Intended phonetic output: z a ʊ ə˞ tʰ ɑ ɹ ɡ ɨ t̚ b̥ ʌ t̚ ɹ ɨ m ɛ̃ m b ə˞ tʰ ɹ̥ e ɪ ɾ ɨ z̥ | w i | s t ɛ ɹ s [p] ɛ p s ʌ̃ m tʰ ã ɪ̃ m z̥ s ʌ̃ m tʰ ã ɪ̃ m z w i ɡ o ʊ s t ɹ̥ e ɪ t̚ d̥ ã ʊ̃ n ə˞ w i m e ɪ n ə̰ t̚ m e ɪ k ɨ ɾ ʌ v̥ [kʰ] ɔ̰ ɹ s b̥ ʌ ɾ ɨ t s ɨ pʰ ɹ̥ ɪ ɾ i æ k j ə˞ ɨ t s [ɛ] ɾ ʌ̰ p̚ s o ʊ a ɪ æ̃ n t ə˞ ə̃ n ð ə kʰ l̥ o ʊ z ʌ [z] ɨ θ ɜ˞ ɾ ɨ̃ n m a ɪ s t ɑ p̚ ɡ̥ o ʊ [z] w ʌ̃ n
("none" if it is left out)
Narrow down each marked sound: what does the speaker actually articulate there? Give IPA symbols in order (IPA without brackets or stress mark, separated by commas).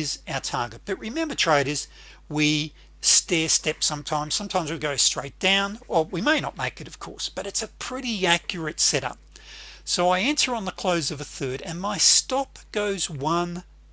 t, kʰ, ɛ, v, z